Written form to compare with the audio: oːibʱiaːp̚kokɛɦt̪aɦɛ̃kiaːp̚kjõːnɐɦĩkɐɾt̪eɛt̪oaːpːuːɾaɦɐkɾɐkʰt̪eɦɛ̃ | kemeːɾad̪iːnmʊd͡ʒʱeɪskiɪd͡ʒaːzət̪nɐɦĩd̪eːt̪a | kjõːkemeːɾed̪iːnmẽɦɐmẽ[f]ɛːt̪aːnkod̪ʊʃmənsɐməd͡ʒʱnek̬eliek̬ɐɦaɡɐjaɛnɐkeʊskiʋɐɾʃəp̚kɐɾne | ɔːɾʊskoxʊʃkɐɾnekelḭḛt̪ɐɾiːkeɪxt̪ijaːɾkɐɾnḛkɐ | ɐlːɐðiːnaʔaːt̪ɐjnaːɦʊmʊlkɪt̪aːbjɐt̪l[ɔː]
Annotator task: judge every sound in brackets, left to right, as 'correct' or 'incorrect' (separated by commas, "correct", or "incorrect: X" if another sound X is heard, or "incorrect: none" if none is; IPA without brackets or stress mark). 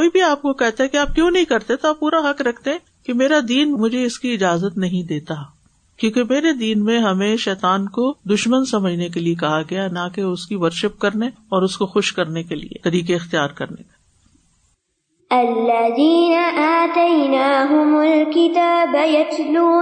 incorrect: ʃ, incorrect: uː